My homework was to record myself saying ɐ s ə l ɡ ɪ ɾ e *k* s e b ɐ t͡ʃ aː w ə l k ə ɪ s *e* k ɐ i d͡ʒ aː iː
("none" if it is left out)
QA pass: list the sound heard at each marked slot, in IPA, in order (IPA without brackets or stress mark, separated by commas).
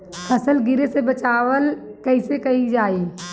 none, e